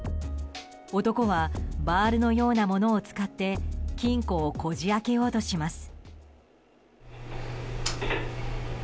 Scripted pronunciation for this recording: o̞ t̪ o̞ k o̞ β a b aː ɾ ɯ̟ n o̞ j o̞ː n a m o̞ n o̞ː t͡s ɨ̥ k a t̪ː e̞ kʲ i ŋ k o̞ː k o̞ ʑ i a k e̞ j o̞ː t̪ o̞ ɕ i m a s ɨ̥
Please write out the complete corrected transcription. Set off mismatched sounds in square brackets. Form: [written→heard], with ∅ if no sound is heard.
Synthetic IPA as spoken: o̞ t̪ o̞ k o̞ β a b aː ɾ ɯ̟ n o̞ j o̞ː n a m o̞ n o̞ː t͡s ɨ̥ k a t̪ː e̞ kʲ [i→ĩ] ŋ k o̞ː k o̞ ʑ i a k e̞ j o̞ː t̪ o̞ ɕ i m a s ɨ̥